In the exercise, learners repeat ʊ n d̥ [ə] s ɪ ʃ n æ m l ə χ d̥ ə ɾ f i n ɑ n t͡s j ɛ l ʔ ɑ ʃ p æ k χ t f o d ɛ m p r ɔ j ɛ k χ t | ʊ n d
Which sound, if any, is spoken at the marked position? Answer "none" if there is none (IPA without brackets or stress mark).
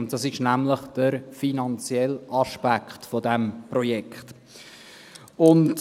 ɑ